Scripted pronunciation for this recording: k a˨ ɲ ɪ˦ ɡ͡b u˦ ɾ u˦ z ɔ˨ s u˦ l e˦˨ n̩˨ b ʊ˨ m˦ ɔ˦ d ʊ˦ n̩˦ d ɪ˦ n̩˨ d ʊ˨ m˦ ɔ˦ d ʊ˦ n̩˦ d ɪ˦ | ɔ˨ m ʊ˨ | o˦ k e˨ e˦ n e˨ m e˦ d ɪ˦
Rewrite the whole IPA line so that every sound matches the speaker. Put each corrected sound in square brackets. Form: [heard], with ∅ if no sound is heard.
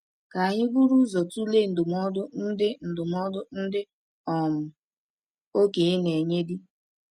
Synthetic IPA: k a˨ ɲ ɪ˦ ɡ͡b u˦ ɾ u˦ z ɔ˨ [t] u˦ l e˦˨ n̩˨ [d] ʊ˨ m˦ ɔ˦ d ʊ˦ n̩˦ d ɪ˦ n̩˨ d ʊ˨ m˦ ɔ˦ d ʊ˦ n̩˦ d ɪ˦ | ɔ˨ m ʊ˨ | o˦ k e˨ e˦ n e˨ [ɲ] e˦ d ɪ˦